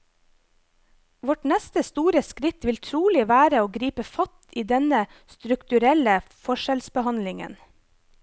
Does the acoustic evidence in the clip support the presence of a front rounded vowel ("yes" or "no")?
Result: no